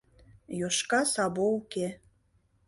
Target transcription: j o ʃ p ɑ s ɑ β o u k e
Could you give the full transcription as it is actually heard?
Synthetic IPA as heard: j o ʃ k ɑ s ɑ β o u k e